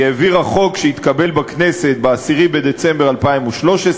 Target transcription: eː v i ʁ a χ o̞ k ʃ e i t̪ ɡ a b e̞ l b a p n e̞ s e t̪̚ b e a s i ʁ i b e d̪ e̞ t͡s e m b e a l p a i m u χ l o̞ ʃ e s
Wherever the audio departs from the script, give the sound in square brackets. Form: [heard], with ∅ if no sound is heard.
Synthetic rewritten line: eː v i ʁ a χ o̞ k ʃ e i t̪ [k] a b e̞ l b a [k] n e̞ s e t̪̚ b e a s i ʁ i b e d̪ e̞ t͡s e m b e a l p a i m u [ʃ] l o̞ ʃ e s